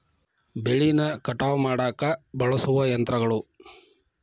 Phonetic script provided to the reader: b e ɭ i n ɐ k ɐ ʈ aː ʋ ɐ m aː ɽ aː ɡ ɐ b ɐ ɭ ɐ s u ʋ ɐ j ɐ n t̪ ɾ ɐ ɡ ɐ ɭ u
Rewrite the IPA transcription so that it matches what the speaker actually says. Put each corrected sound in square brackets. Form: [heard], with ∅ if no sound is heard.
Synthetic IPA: b e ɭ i n ɐ k ɐ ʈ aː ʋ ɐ m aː ɽ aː [k] ɐ b ɐ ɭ ɐ s u ʋ ɐ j ɐ n t̪ ɾ ɐ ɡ ɐ ɭ u